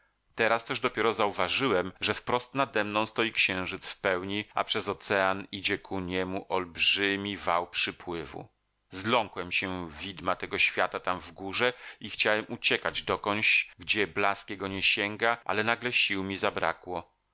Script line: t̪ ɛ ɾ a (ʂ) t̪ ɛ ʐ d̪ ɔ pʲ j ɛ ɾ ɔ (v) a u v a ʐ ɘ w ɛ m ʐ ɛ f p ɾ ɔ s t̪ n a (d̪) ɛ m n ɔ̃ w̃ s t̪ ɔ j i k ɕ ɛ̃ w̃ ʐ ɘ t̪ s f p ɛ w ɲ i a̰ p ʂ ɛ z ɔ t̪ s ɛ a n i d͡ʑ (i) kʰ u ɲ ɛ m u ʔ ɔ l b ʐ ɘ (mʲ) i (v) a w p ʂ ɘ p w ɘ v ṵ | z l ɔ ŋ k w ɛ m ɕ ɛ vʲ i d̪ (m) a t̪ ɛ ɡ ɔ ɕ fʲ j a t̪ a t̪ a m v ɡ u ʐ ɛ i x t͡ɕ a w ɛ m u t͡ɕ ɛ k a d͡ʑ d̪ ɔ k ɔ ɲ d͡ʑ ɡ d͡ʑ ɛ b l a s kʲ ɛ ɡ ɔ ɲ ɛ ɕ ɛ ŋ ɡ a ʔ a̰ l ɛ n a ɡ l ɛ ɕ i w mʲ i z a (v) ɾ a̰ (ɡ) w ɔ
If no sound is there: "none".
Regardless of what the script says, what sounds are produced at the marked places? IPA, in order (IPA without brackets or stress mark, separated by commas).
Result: s, z, d̪, ɛ, mʲ, v, m, b, k